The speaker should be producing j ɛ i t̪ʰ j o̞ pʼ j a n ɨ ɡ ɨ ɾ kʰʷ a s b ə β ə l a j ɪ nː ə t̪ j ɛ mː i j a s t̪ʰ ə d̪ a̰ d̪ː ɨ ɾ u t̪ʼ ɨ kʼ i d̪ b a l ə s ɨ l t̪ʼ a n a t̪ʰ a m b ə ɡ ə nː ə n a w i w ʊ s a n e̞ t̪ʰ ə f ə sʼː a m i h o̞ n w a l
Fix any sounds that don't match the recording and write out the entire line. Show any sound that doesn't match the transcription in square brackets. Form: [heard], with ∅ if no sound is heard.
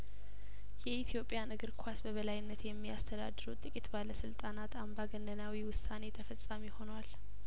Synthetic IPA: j ɛ i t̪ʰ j o̞ pʼ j a n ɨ ɡ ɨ ɾ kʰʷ a s b ə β ə l a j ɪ nː ə t̪ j ɛ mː i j a s t̪ʰ ə d̪ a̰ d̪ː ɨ ɾ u t̪ʼ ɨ kʼ i [t̪] b a l ə s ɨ l t̪ʼ a n a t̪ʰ a m b [a] ɡ ə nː ə n a w i w ʊ s a n e̞ t̪ʰ ə f ə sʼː a m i h o̞ n w a l

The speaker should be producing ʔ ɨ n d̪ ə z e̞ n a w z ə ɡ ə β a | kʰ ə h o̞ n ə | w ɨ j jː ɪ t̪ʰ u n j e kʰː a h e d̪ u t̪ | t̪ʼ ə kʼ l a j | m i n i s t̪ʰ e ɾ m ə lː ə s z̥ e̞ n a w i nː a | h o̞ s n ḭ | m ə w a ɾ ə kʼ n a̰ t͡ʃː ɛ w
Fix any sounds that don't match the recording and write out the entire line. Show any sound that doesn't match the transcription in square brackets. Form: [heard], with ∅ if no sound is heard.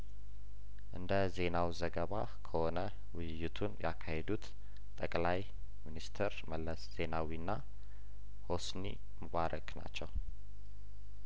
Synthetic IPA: ʔ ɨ n d̪ ə z e̞ n a w z ə ɡ ə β a | kʰ ə h o̞ n ə | w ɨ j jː ɪ t̪ʰ u n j [a] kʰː a h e d̪ u t̪ | t̪ʼ ə kʼ l a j | m i n i s t̪ʰ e ɾ m ə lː ə s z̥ e̞ n a w i nː a | h o̞ s n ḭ | m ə [β] a ɾ ə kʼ n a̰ t͡ʃː ɛ w

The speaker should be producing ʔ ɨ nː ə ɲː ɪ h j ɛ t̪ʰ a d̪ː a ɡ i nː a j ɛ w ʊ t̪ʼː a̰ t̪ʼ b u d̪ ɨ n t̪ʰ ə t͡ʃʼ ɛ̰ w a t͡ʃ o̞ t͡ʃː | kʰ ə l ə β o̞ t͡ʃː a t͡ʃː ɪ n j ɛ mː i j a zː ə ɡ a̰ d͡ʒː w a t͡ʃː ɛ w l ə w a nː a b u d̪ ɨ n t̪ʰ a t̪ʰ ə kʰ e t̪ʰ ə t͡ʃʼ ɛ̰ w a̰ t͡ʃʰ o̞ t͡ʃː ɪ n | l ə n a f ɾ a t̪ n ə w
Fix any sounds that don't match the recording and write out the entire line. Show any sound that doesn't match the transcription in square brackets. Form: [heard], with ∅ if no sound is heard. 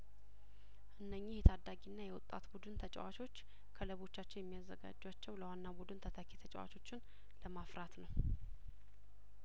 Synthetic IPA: ʔ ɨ nː ə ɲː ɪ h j ɛ t̪ʰ a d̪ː a ɡ i nː a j ɛ w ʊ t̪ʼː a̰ [t̪] b u d̪ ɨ n t̪ʰ ə t͡ʃʼ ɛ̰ w a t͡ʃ o̞ t͡ʃː | kʰ ə l ə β o̞ t͡ʃː a t͡ʃː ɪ n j ɛ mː i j a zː ə ɡ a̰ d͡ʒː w a t͡ʃː ɛ w l ə w a nː a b u d̪ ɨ n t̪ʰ [ə] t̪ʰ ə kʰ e t̪ʰ ə t͡ʃʼ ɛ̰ w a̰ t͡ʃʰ o̞ t͡ʃː ɪ n | l ə [m] a f ɾ a t̪ n ə w

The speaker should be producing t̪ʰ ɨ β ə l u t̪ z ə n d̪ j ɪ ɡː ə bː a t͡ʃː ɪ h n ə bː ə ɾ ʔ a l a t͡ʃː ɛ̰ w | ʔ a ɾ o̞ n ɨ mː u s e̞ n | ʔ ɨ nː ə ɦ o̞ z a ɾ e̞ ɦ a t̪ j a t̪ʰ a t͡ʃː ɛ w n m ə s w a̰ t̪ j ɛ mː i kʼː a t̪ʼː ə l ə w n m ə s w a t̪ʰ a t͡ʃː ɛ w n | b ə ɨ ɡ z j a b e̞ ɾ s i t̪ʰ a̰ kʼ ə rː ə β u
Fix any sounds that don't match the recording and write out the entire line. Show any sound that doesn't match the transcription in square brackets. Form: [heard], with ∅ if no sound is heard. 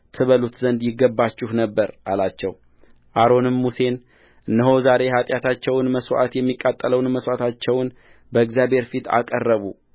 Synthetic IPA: t̪ʰ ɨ β ə l u t̪ z ə n d̪ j ɪ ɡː ə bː a t͡ʃː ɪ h n ə bː ə ɾ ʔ a l a t͡ʃː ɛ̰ w | ʔ a ɾ o̞ n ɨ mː u s e̞ n | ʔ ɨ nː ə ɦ o̞ z a ɾ e̞ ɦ a [t̪ʼ] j a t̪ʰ a t͡ʃː ɛ w n m ə s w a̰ t̪ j ɛ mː i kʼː a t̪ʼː ə l ə w n m ə s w a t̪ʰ a t͡ʃː ɛ w n | b ə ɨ ɡ z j a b e̞ ɾ [f] i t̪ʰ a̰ kʼ ə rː ə β u

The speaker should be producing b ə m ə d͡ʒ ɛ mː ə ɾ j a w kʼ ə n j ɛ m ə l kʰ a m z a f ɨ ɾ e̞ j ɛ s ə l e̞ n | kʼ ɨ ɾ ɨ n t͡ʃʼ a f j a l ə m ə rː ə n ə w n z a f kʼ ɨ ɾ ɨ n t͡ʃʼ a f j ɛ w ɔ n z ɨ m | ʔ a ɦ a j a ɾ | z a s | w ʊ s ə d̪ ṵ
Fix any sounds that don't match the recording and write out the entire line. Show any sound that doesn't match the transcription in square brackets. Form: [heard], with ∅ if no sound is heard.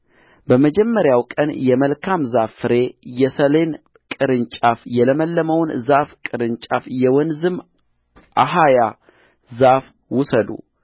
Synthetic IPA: b ə m ə d͡ʒ ɛ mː ə ɾ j a w kʼ ə n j ɛ m ə l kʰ a m z a f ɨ ɾ e̞ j ɛ s ə l e̞ n | kʼ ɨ ɾ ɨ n t͡ʃʼ a f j [ɛ] l ə m ə [lː] ə [m] ə w n z a f kʼ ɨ ɾ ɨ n t͡ʃʼ a f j ɛ w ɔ n z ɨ m | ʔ a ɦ a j a [∅] | z a [f] | w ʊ s ə d̪ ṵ

